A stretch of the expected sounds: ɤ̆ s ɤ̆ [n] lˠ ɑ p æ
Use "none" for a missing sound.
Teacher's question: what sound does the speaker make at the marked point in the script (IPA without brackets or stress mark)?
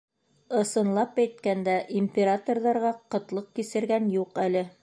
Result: n